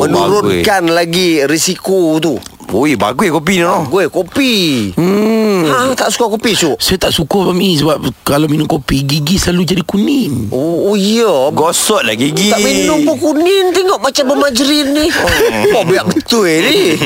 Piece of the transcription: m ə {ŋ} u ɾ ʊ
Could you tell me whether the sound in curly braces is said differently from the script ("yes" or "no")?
yes